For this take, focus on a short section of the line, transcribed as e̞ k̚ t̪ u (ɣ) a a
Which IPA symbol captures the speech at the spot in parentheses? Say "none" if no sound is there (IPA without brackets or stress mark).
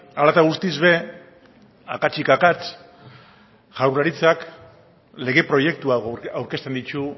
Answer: none